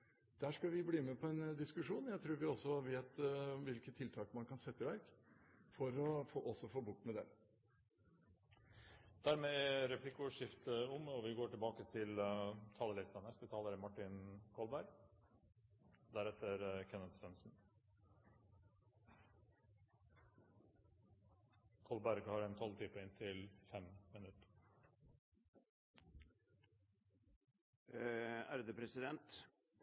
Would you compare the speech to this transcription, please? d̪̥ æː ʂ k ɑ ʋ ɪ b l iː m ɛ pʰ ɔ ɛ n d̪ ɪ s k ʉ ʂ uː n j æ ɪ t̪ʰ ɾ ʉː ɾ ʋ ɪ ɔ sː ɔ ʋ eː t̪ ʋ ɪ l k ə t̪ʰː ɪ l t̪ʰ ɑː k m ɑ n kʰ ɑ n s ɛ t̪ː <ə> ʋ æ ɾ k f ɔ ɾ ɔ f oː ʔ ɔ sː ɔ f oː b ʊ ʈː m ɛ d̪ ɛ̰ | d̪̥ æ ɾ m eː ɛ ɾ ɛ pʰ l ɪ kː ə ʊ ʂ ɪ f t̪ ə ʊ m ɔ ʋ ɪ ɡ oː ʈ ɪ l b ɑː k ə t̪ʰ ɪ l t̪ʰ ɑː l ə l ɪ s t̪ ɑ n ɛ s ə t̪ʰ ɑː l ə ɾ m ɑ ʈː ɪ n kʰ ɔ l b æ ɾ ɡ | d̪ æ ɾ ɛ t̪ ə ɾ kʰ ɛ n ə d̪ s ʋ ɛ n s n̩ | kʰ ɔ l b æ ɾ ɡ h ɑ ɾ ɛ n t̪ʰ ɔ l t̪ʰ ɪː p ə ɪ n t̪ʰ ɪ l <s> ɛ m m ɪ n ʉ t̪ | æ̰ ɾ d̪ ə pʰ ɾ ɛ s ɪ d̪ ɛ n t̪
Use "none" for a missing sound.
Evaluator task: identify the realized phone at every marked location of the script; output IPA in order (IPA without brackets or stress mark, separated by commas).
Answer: ə, f